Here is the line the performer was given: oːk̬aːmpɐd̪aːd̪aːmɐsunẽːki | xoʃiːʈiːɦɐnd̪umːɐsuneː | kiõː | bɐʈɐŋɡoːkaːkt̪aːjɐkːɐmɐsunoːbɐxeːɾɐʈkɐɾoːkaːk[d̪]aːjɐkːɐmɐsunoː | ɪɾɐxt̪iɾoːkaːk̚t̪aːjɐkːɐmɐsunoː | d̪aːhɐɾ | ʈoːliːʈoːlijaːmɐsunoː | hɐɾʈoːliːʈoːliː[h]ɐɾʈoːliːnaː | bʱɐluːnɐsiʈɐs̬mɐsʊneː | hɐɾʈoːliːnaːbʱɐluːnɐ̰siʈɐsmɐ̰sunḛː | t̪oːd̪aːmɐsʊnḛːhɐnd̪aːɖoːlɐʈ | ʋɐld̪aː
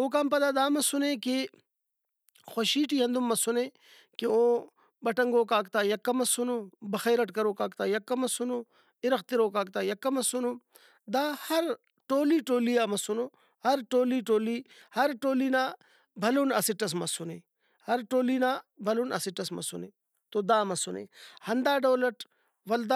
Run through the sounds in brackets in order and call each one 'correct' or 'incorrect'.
incorrect: t̪, correct

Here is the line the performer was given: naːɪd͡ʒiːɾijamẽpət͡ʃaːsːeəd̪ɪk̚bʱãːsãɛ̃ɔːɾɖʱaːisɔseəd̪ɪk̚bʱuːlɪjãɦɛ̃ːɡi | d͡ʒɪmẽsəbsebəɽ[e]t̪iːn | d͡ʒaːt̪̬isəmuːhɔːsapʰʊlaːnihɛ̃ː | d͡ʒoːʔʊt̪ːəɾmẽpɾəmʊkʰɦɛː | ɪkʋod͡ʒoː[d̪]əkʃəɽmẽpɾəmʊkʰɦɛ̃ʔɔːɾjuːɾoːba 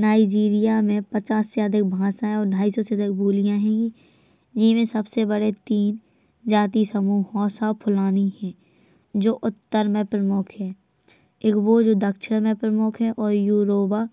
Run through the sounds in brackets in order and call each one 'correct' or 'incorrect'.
correct, correct

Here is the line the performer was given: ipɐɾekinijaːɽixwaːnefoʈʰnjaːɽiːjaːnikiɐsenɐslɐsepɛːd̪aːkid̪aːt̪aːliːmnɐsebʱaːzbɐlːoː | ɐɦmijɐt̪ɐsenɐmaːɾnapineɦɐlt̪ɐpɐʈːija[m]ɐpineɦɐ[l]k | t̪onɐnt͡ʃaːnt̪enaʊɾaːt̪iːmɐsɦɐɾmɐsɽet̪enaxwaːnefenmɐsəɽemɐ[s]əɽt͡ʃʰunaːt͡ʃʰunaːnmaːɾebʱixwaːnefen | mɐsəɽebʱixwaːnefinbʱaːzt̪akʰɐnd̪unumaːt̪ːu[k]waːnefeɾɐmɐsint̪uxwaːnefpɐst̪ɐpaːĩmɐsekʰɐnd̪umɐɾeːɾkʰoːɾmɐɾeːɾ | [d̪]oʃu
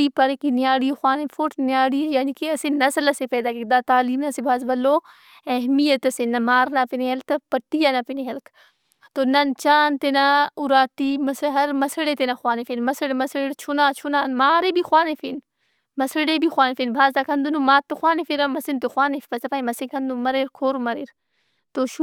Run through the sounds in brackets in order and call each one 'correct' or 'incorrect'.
incorrect: n, correct, correct, incorrect: x, incorrect: t̪

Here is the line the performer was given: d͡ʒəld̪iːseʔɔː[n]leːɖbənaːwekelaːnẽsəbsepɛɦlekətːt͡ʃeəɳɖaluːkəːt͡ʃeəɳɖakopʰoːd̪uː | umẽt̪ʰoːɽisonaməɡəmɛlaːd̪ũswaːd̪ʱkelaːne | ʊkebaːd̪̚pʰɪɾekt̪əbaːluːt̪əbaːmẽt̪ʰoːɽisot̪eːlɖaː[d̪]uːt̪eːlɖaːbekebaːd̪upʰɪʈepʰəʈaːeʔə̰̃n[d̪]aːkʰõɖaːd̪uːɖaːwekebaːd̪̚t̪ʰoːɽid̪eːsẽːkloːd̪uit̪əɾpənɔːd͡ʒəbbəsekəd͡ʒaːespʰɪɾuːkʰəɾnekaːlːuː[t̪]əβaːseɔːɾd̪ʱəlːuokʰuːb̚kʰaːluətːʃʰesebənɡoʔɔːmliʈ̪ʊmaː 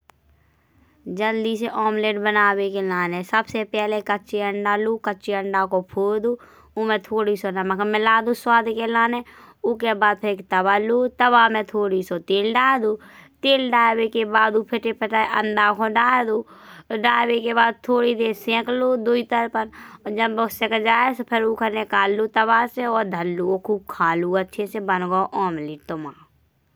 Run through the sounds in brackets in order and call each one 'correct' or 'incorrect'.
incorrect: m, correct, correct, correct

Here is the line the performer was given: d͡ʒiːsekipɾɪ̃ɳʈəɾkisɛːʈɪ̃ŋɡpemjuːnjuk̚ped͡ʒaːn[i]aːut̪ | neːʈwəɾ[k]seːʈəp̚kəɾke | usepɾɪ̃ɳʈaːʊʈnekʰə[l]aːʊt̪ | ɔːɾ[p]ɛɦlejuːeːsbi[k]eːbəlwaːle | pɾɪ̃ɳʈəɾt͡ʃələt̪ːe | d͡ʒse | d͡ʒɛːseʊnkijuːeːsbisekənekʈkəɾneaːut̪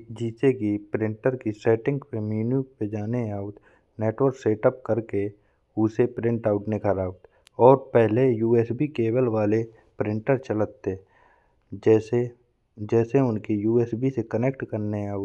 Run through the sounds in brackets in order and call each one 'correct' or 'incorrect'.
incorrect: e, correct, incorrect: ɾ, correct, correct

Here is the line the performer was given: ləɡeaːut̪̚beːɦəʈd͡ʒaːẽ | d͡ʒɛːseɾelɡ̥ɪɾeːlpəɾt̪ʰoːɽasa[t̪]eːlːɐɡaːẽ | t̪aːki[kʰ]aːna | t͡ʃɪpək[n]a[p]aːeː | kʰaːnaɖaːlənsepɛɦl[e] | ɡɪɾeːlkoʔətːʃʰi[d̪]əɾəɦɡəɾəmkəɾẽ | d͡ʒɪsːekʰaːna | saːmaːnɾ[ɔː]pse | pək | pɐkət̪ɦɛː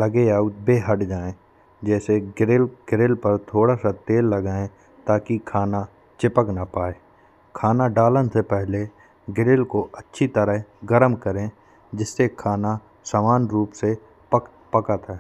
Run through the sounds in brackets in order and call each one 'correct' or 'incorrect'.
correct, correct, correct, correct, correct, incorrect: t̪, incorrect: uː

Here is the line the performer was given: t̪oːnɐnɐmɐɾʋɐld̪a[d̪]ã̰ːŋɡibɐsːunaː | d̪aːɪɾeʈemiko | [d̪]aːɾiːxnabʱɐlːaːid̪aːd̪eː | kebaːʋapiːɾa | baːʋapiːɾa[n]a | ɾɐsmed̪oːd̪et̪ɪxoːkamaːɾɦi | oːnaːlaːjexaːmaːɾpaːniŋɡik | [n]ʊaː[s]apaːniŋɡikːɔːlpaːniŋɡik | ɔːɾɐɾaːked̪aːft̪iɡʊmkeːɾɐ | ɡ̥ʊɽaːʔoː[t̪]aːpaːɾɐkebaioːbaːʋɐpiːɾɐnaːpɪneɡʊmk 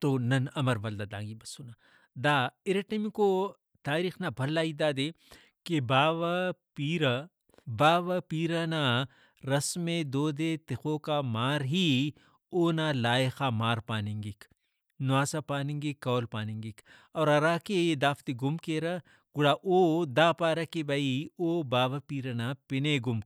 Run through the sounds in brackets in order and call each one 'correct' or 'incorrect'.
correct, incorrect: t̪, correct, correct, correct, incorrect: d̪

